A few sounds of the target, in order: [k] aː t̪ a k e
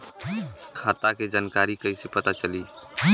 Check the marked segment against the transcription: incorrect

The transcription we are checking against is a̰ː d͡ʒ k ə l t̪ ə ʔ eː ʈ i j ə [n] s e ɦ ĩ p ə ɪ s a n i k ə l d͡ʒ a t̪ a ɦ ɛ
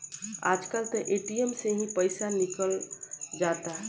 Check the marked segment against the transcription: incorrect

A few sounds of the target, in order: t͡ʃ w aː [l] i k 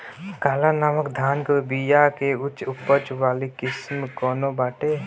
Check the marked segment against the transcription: correct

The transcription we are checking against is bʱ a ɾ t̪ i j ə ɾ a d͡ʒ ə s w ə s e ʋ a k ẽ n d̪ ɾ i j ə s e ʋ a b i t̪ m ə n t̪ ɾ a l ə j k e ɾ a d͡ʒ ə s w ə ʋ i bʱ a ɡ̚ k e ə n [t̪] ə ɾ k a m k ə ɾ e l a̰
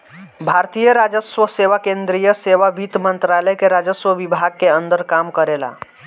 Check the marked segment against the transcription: incorrect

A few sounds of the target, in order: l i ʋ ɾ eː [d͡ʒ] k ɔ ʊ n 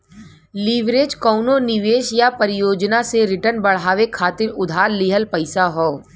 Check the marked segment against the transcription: correct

